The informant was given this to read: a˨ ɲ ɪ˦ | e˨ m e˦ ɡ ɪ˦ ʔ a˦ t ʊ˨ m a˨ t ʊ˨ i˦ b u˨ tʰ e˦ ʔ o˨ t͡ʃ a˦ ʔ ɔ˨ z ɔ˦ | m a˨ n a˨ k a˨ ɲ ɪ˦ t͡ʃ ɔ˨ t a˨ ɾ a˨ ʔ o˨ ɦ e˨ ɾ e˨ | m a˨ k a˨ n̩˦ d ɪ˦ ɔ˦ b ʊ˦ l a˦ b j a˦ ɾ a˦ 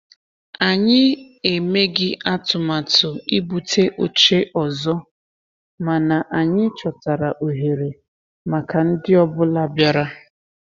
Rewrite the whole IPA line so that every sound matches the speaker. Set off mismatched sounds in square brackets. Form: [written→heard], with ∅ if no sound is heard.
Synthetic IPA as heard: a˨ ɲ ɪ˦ | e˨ m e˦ ɡ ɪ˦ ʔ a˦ t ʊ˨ m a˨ t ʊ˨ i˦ b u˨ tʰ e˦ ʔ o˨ t͡ʃ [a˦→e˦] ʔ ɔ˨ z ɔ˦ | m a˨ n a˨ [k→ʔ] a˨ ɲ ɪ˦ t͡ʃ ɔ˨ t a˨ ɾ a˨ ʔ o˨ ɦ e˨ ɾ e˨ | m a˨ k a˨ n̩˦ d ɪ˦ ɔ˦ b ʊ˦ l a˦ b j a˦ ɾ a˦